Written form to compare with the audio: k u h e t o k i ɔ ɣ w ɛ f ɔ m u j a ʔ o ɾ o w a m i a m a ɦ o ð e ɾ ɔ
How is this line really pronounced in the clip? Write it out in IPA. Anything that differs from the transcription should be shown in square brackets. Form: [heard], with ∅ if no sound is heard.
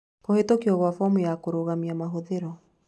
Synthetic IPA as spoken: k [o] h e t o k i ɔ ɣ w [a] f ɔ m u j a [k] o ɾ o [ɣ] a m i a m a ɦ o ð e ɾ ɔ